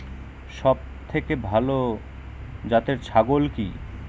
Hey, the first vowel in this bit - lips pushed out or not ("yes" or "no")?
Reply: yes